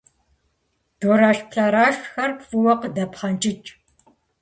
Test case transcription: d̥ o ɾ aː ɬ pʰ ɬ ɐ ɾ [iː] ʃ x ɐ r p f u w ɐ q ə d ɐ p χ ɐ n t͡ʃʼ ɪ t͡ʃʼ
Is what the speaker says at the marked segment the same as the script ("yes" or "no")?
no